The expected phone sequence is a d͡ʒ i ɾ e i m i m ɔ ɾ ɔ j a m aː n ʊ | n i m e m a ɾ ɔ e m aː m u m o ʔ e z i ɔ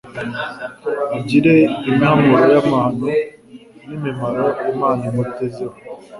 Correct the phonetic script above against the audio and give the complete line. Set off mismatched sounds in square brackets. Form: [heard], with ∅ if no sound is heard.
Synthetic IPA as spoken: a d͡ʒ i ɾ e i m [a] m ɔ ɾ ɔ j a m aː n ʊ | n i m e m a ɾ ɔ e m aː [n] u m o [t] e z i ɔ